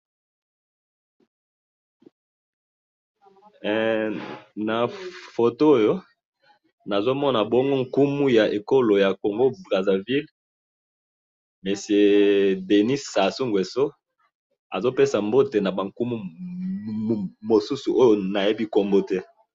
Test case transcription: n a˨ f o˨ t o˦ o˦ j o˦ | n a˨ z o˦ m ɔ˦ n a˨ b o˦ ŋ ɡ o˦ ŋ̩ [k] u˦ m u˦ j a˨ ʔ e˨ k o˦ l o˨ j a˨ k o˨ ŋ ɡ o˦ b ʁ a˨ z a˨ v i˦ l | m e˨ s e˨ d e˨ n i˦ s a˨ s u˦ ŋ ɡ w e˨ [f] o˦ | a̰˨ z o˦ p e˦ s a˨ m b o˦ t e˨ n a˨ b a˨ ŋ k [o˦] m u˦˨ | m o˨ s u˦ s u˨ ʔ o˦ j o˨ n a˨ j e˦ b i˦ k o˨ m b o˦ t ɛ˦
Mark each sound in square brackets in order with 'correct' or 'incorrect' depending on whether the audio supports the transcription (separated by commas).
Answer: correct, incorrect, incorrect